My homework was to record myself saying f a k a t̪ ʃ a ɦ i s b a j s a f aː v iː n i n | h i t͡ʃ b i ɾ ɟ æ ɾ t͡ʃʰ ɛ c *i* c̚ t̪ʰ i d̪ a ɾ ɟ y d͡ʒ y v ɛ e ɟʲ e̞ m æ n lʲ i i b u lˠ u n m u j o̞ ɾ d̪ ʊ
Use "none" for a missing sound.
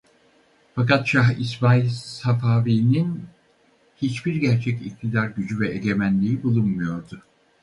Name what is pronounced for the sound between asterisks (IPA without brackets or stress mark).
i